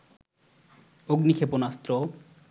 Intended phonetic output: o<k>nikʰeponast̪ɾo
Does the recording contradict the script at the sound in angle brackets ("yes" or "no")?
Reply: yes